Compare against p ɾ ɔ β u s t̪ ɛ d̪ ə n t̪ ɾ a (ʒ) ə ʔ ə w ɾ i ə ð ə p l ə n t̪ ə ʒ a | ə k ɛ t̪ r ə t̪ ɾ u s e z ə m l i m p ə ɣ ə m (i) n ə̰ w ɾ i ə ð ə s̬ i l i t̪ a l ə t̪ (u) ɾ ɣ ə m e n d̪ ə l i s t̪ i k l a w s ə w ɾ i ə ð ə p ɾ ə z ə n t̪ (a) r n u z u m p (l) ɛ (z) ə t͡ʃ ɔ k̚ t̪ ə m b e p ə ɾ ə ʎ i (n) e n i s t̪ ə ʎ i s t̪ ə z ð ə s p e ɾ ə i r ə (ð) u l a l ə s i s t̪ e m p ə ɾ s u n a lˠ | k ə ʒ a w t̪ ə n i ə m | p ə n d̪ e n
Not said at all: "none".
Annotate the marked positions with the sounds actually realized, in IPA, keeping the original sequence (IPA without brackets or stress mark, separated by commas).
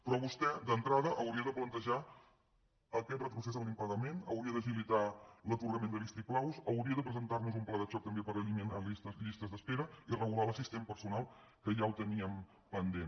ð, e, u, a, l, ð, m, ɣ